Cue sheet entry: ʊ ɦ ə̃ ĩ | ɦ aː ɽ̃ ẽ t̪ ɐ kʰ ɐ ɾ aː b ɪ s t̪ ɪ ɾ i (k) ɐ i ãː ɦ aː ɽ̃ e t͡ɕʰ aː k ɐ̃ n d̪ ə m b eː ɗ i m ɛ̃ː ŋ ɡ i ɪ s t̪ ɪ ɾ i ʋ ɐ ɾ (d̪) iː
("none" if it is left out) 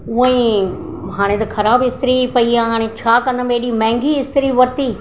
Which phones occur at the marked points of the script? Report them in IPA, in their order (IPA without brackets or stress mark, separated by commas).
p, t̪